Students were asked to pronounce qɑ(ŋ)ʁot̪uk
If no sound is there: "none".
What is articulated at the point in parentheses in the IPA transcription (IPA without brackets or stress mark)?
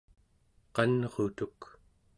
n